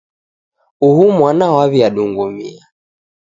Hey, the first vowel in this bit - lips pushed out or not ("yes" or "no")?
yes